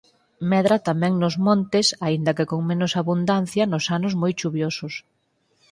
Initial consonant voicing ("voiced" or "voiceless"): voiced